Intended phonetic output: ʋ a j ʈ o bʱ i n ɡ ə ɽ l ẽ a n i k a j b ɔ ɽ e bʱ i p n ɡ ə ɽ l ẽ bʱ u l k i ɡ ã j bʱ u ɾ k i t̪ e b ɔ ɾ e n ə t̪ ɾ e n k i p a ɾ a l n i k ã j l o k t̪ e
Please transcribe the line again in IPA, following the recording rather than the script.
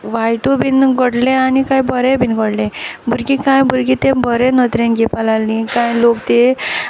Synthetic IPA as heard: ʋ a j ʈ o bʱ i n ɡ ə ɽ l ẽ a n i k a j b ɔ ɾ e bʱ i n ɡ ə ɽ l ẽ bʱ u ɾ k i k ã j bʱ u ɾ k i t̪ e b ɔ ɾ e n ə t̪ ɾ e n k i p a l a l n i k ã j l o k t̪ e